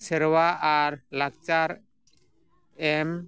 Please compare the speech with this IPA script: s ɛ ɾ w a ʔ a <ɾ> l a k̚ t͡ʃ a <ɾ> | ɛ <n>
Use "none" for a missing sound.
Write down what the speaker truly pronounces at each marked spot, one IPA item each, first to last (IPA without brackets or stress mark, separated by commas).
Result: ɾ, ɾ, m